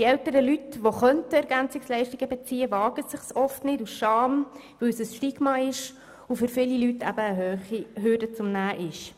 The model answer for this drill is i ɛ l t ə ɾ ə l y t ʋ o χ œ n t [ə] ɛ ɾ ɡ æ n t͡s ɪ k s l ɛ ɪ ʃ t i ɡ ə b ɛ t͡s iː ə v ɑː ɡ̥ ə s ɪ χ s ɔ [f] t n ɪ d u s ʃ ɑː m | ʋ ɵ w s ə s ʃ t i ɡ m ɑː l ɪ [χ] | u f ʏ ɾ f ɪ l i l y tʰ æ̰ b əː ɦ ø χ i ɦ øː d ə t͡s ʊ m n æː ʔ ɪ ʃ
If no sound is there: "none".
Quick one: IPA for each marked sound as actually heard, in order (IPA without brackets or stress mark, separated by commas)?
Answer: ə, f, ʃ